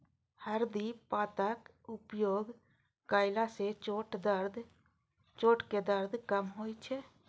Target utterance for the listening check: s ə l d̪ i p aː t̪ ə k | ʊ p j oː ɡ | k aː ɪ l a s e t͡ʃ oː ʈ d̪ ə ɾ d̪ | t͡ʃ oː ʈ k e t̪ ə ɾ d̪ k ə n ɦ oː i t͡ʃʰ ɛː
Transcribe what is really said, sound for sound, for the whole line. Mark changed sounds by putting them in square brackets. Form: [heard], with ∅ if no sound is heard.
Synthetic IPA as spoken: [h] ə [ɾ] d̪ i p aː t̪ ə k | ʊ p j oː ɡ | k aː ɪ l a s e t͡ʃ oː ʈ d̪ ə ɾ d̪ | t͡ʃ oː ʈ k e [d̪] ə ɾ d̪ k ə [m] ɦ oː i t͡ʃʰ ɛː

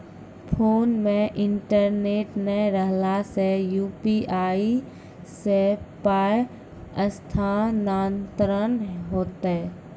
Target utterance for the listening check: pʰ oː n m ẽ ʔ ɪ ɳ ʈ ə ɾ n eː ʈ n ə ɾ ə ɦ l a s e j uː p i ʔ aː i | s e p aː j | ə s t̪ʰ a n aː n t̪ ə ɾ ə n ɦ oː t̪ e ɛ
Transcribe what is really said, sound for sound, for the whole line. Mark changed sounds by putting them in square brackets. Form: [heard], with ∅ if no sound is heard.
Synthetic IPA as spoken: pʰ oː n m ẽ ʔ ɪ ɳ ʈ ə ɾ n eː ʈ n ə ɾ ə ɦ l a s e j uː p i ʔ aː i | s e p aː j | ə s t̪ʰ a n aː n t̪ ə ɾ ə n ɦ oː t̪ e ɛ

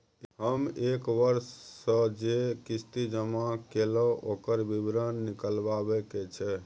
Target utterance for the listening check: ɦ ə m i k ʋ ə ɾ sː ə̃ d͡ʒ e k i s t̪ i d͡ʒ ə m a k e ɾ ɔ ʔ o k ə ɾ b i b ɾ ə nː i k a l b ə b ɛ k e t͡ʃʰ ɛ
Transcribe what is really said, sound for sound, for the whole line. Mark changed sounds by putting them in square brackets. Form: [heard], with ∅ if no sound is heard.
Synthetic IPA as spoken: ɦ ə m [e] k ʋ ə ɾ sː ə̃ d͡ʒ e k i s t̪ i d͡ʒ ə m a k e [l] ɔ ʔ o k ə ɾ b i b ɾ ə nː i k [ə] l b [a] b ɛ k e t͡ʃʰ ɛ

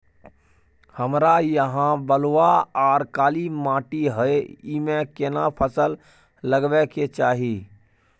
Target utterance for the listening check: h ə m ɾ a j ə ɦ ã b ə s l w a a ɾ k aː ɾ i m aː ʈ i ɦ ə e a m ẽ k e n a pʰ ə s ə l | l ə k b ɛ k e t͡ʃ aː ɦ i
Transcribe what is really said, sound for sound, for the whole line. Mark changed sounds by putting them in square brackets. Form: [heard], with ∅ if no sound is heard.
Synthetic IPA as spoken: h ə m ɾ a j ə ɦ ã b ə [∅] l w a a ɾ k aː [l] i m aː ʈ i ɦ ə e [i] m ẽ k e n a pʰ ə s ə l | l ə [ɡ] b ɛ k e t͡ʃ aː ɦ i

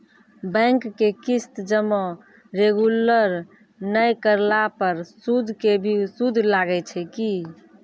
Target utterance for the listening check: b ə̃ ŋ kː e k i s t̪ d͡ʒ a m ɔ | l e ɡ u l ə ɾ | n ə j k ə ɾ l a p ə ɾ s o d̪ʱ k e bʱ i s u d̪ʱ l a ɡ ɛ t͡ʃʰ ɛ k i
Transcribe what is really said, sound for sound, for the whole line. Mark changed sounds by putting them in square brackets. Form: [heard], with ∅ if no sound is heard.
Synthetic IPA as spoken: b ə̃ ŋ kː e k i s t̪ d͡ʒ [ə] m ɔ | [ɾ] e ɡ u l ə ɾ | n ə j k ə ɾ l a p ə ɾ s [u] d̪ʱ k e bʱ i s u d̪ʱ l a ɡ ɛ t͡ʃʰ ɛ k i

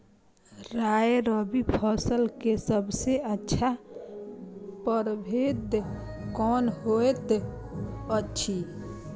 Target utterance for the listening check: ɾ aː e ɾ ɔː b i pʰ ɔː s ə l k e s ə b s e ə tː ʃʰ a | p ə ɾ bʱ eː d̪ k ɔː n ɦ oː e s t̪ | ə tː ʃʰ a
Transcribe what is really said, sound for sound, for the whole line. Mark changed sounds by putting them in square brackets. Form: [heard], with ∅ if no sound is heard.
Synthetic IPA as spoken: ɾ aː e ɾ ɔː b i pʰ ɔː s ə l k e s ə b s e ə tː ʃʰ a | p ə ɾ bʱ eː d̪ k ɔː n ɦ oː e [∅] t̪ | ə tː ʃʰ [i]

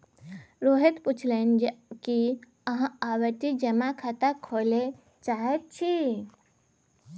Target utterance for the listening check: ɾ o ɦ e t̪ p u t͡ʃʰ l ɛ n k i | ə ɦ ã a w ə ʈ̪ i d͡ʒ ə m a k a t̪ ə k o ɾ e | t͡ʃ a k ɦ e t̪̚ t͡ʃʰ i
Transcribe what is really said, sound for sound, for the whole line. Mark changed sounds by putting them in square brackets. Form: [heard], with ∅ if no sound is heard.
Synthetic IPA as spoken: ɾ o ɦ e t̪ p u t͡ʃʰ l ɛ n k i | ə ɦ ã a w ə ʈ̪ i d͡ʒ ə m a [kʰ] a t̪ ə [kʰ] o [l] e | t͡ʃ a [∅] ɦ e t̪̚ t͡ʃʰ i

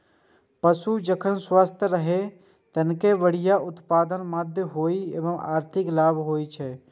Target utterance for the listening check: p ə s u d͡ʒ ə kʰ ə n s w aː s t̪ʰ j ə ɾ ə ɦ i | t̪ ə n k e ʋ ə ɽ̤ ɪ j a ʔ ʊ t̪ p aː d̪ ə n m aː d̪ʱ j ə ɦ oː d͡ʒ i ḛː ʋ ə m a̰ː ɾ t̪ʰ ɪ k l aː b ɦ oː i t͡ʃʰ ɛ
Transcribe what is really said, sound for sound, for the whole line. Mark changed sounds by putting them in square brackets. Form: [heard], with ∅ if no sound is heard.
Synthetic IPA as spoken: p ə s u d͡ʒ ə kʰ ə n s w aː s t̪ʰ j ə ɾ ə ɦ [e] | t̪ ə n k e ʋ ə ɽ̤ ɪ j a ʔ ʊ t̪ p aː d̪ ə n m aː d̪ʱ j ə ɦ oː [∅] i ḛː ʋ ə m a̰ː ɾ t̪ʰ ɪ k l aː b ɦ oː i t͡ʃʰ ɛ

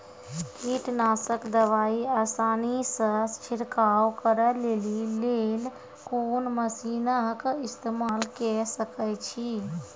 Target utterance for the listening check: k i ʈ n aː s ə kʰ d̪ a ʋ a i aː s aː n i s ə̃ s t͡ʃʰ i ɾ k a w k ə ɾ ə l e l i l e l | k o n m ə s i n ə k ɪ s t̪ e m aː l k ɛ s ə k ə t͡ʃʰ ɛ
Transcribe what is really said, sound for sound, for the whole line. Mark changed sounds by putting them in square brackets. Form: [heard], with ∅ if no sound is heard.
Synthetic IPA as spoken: k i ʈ n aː s ə [k] d̪ [ə] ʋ a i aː s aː n i s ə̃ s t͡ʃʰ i ɾ k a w k ə ɾ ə l e l i l e l | k o n m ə s i n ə k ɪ s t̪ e m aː l k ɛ s ə k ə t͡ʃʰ [i]

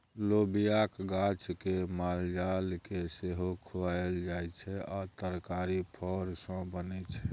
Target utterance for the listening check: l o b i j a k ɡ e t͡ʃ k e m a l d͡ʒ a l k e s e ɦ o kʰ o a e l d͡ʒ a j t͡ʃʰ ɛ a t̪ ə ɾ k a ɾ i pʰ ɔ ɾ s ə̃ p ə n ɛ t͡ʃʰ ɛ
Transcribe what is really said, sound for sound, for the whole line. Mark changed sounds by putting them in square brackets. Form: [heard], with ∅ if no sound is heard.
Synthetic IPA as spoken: l o b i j a k ɡ [a] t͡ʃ k e m a l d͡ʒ a l k e s e ɦ o kʰ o a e l d͡ʒ a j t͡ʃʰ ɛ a t̪ ə ɾ k a ɾ i pʰ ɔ ɾ s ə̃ [b] ə n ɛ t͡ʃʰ ɛ

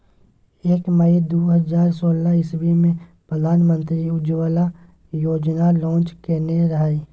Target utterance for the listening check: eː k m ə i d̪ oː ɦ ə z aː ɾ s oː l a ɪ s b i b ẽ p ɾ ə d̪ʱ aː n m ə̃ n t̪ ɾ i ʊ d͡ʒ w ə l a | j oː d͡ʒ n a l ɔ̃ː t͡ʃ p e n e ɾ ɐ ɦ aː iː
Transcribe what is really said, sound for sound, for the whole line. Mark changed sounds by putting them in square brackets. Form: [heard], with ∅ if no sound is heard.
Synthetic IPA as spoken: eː k m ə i d̪ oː ɦ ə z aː ɾ s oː l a ɪ s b i [m] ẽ p ɾ ə d̪ʱ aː n m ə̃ n t̪ ɾ i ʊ d͡ʒ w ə l a | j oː d͡ʒ n a l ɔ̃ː t͡ʃ [k] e n e ɾ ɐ ɦ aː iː

